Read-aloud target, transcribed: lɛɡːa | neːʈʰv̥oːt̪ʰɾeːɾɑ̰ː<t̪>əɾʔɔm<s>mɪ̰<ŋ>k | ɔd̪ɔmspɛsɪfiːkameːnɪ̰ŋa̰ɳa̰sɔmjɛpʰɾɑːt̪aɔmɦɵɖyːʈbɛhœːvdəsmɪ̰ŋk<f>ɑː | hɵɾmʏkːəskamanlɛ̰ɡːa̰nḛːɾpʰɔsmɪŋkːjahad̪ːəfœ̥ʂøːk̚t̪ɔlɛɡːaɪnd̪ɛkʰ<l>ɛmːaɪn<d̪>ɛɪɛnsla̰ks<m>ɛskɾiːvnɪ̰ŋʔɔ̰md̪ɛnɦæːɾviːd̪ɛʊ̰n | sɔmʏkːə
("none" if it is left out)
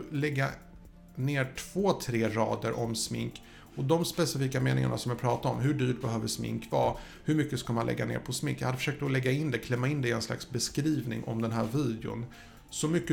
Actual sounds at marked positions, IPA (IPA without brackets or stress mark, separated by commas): d̪, s, ŋ, v, l, d̪, b